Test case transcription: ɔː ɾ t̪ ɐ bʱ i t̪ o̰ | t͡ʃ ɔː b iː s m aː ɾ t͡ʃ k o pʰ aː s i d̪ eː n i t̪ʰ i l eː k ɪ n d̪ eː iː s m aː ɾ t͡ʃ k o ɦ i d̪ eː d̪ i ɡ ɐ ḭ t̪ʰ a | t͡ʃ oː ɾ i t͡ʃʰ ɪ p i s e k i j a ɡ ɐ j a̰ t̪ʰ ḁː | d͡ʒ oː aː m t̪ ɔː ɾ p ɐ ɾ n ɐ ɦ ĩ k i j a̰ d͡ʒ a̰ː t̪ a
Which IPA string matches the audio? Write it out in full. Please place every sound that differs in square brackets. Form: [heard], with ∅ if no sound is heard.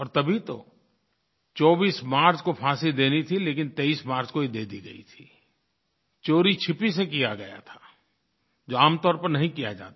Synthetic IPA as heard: ɔː ɾ t̪ ɐ bʱ i t̪ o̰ | t͡ʃ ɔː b iː s m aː ɾ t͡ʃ k o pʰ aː s i d̪ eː n i t̪ʰ i l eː k ɪ n [t̪] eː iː s m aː ɾ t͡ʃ k o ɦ i d̪ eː d̪ i ɡ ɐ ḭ t̪ʰ [i] | t͡ʃ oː ɾ i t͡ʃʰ ɪ p i s e k i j a ɡ ɐ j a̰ t̪ʰ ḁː | d͡ʒ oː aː m t̪ ɔː ɾ p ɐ ɾ n ɐ ɦ ĩ k i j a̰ d͡ʒ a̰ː t̪ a